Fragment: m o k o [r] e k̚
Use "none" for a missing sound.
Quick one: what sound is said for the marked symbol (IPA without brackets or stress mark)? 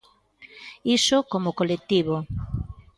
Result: l